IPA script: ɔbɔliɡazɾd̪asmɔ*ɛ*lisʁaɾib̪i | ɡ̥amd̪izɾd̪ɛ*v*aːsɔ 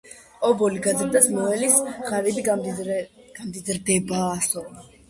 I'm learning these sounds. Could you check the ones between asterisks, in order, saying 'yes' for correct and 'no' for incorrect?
yes, no

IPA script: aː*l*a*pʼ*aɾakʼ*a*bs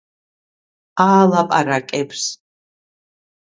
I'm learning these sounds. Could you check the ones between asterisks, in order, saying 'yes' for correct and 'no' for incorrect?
yes, yes, no

